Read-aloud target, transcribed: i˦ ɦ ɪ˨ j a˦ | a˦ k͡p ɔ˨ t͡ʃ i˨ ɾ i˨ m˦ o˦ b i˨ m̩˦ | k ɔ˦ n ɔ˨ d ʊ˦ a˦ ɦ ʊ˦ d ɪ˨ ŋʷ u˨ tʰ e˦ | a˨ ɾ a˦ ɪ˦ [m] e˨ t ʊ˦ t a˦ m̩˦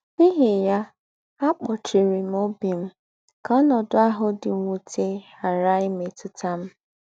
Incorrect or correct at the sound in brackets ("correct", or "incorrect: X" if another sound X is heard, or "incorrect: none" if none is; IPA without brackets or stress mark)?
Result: correct